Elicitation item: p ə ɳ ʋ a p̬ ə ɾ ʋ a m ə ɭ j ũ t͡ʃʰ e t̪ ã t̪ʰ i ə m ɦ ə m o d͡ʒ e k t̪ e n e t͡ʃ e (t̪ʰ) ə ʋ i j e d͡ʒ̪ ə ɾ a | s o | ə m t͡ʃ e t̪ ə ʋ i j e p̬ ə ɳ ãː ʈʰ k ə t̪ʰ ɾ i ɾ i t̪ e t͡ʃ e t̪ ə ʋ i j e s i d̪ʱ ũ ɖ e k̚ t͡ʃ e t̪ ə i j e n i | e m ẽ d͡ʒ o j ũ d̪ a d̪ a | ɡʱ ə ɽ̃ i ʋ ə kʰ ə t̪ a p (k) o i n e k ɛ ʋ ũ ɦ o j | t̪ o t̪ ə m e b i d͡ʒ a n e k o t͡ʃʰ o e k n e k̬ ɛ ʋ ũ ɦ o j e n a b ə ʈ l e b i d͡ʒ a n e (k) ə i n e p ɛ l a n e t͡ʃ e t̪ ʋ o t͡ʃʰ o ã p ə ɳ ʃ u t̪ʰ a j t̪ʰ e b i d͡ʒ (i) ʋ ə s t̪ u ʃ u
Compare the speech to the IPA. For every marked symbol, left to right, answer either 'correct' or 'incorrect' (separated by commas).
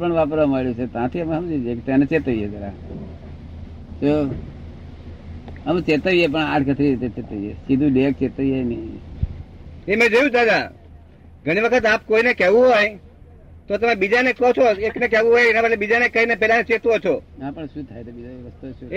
incorrect, correct, correct, incorrect